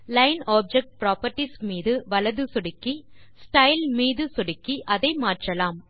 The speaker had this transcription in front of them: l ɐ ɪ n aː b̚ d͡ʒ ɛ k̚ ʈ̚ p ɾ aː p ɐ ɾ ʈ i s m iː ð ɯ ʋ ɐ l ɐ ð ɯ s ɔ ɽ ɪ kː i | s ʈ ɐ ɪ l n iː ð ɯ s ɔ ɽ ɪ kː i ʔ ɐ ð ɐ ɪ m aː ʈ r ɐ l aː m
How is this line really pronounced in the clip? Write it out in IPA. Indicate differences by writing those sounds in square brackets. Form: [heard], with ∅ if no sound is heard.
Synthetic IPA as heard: l ɐ ɪ n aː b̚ d͡ʒ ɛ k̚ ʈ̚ p ɾ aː p ɐ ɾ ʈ i s m iː ð ɯ ʋ ɐ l ɐ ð ɯ s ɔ ɽ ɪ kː i | s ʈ ɐ ɪ l [m] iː ð ɯ s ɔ ɽ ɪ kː i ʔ ɐ ð ɐ ɪ m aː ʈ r ɐ l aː m